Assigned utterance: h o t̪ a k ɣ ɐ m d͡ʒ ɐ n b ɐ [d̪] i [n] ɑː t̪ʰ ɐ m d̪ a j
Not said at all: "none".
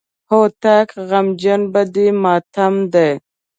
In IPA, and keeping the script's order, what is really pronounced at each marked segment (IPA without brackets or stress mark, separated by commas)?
d̪, m